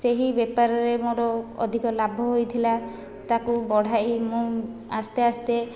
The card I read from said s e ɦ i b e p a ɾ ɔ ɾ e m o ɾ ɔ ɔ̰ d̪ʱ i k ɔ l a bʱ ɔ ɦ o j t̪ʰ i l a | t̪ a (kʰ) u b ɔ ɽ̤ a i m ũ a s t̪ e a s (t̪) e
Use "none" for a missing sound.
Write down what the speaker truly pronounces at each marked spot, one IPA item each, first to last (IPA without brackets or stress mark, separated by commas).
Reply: k, t̪